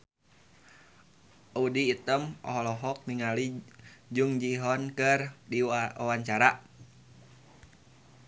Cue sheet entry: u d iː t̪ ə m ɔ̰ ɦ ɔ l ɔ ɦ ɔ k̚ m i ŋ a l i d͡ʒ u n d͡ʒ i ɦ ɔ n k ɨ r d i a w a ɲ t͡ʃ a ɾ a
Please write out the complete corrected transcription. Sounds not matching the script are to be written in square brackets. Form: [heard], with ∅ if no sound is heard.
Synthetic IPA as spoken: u d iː t̪ ə m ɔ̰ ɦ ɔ l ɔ ɦ ɔ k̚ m i ŋ a l i d͡ʒ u [ŋ] d͡ʒ i ɦ ɔ n k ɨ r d i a w a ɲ t͡ʃ a ɾ a